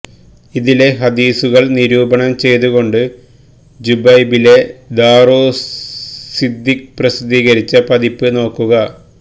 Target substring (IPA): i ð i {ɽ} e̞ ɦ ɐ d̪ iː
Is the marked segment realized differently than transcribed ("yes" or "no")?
yes